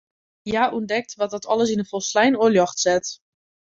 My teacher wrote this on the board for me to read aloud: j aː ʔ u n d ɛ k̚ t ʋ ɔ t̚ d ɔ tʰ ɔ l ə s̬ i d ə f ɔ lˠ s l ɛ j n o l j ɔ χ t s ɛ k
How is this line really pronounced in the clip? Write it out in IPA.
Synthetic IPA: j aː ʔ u n d ɛ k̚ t ʋ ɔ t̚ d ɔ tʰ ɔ l ə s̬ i n ə f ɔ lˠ s l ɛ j n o l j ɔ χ t s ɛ t